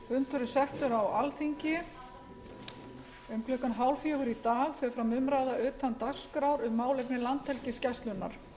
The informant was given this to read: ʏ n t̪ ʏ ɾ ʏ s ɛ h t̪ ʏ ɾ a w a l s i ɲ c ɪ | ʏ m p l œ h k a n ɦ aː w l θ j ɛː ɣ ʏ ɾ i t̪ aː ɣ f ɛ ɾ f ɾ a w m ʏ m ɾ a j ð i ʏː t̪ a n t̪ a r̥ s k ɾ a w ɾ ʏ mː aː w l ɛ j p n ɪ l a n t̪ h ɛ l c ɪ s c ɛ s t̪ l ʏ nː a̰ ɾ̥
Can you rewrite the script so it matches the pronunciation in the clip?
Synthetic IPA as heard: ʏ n t̪ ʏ ɾ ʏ s ɛ h t̪ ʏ ɾ a w a l θ i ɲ c ɪ | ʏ m k l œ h k a n ɦ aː w l f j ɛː ɣ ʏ ɾ i t̪ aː ɣ f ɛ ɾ f ɾ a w m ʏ m ɾ a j ð a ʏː t̪ a n t̪ a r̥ s k ɾ a w ɾ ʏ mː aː w l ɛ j p n ɪ l a n t̪ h ɛ l c ɪ s c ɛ s t̪ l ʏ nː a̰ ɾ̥